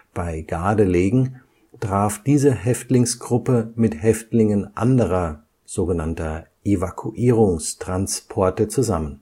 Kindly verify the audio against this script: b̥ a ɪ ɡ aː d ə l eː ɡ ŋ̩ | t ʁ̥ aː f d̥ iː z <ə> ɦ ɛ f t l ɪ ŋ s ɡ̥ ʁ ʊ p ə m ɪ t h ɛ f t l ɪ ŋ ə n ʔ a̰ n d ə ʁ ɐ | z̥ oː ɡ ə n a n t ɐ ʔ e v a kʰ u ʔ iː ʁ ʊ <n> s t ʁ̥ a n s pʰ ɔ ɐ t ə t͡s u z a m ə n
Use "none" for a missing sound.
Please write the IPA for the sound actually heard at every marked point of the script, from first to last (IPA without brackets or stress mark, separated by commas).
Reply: ə, ŋ